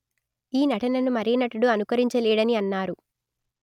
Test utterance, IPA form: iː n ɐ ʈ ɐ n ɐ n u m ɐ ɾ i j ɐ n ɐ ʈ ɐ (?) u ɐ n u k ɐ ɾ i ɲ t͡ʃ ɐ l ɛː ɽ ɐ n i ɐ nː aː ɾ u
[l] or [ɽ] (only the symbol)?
ɽ